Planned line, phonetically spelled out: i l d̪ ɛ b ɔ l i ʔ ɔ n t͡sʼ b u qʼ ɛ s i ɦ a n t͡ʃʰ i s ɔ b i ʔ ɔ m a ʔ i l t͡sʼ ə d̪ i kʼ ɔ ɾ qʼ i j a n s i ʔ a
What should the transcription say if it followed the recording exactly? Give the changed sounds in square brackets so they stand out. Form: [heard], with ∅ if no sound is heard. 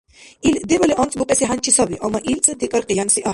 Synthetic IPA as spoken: i l d̪ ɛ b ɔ l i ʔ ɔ n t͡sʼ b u qʼ ɛ s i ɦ a n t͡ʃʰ i s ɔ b i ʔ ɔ m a ʔ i l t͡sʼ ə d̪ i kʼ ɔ ɾ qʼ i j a n s i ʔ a